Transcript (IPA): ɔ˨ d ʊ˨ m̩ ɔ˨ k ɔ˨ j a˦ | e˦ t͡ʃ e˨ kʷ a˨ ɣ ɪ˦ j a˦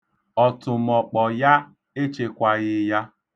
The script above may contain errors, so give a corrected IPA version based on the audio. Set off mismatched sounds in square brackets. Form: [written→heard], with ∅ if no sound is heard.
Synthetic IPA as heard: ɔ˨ [d→t] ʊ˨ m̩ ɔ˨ [k→k͡p] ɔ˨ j a˦ | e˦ t͡ʃ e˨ kʷ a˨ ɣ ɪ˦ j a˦